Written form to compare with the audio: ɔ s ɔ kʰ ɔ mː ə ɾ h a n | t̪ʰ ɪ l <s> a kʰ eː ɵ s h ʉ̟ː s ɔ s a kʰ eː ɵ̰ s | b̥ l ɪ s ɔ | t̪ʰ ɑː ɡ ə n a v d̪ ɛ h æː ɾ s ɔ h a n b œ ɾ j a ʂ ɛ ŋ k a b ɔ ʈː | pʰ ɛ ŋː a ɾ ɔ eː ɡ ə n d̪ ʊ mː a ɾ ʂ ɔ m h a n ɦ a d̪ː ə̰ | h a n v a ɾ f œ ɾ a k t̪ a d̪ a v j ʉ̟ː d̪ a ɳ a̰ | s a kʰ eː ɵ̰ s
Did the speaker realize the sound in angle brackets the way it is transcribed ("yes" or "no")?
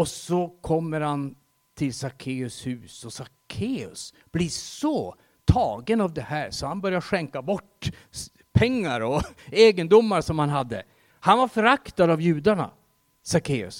yes